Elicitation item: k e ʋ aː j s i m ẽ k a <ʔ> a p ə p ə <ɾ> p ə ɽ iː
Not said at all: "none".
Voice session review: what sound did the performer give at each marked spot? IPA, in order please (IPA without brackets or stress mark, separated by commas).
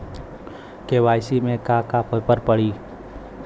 k, ɾ